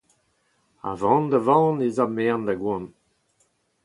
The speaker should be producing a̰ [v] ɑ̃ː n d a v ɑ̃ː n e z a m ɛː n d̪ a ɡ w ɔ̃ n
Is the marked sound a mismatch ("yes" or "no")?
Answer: no